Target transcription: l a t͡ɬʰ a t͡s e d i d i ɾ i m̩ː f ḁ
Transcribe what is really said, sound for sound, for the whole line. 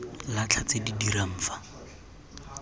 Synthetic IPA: l a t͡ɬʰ a t͡s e d i d i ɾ a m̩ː f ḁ